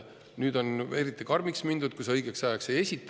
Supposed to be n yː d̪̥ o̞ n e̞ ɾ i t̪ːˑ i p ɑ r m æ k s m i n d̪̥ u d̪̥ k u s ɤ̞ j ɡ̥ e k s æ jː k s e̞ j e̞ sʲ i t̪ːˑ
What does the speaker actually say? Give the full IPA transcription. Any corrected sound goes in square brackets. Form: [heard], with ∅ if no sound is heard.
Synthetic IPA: n yː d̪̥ o̞ n e̞ ɾ i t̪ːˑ i [k] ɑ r m [i] k s m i n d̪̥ u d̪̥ k u s ɤ̞ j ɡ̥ e k s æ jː k s e̞ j e̞ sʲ i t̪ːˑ